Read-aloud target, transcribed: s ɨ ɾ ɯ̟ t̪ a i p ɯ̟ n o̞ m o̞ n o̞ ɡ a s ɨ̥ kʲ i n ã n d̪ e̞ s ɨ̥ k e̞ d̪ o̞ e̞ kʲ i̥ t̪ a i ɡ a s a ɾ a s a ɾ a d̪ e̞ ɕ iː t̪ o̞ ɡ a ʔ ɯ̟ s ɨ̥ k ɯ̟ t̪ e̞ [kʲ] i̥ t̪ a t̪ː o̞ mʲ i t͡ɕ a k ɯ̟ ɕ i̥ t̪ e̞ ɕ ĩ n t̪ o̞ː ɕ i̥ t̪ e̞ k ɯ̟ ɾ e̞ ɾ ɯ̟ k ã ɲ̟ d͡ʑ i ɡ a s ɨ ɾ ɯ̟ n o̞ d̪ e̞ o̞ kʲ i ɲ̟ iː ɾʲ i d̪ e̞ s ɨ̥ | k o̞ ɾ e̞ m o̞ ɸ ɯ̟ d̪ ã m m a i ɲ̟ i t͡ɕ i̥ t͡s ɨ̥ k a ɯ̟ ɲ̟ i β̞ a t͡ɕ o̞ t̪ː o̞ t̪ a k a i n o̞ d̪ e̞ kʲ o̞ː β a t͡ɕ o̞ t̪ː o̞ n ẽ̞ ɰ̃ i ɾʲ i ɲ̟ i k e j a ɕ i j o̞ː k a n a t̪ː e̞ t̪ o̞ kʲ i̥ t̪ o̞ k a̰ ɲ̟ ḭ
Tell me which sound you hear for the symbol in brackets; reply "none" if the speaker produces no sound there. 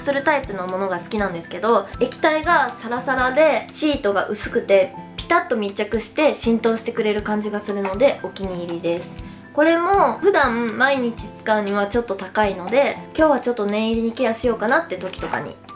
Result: pʲ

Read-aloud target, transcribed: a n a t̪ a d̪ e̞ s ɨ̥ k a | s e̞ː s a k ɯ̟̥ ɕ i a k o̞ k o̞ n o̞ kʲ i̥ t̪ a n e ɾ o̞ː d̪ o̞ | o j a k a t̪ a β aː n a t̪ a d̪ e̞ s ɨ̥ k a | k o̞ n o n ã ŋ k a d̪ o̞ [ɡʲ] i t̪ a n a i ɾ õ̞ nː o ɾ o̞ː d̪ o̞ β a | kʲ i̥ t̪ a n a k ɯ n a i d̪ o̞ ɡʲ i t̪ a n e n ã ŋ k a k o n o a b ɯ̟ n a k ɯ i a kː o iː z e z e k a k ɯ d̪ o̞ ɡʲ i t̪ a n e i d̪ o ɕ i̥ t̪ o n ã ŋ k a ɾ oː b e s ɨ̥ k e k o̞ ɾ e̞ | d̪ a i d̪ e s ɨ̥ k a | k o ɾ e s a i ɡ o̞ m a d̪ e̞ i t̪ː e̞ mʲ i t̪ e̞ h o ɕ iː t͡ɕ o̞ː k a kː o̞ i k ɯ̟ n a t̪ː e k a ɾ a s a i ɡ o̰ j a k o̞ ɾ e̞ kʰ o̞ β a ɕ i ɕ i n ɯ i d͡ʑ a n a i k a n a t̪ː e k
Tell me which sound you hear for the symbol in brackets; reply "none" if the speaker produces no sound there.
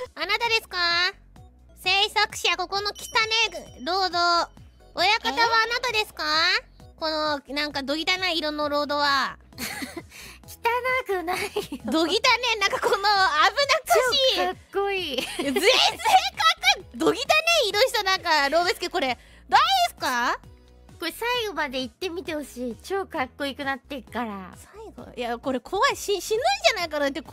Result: ɡʲ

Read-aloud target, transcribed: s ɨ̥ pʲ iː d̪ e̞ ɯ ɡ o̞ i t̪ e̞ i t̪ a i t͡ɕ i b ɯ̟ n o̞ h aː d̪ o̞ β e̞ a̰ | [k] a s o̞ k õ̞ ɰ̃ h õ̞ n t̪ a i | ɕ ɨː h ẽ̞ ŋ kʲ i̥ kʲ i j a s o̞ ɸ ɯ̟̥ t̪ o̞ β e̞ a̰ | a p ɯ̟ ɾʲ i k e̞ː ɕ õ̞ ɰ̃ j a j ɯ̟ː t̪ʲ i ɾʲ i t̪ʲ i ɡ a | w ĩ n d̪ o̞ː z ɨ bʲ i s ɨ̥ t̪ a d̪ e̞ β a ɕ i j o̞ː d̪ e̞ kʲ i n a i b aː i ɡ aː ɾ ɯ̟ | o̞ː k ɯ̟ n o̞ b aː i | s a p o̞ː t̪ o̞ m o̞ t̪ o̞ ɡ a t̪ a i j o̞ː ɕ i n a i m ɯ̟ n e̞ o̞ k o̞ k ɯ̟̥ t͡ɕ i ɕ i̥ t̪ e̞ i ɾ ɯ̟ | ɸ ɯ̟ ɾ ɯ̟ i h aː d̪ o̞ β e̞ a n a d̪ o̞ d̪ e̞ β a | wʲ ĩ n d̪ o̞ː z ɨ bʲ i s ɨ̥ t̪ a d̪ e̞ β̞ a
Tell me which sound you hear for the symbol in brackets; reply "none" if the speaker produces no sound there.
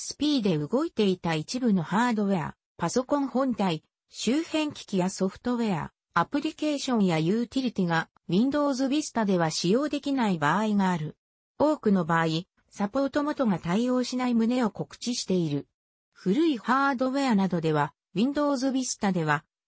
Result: p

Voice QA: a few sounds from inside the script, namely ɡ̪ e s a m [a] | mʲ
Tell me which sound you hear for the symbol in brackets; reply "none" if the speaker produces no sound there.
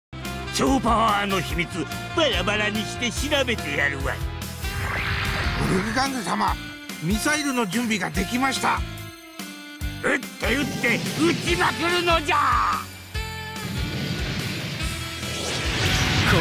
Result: a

